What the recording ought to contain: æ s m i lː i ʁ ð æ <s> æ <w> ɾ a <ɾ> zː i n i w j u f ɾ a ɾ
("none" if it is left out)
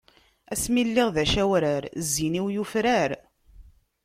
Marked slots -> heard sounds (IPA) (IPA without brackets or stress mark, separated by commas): ʃ, w, ɾ